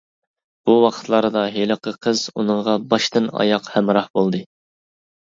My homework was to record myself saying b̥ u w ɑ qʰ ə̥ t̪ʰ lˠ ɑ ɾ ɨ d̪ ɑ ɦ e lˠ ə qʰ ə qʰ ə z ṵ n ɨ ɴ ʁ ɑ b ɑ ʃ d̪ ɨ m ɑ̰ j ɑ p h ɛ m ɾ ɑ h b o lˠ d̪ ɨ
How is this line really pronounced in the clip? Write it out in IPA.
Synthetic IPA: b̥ u w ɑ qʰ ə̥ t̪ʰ lˠ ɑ ɾ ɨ d̪ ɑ ɦ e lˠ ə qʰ ə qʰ ə z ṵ n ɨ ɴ ʁ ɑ b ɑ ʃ t̪ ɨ n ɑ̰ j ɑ q h ɛ m ɾ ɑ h b o lˠ d̪ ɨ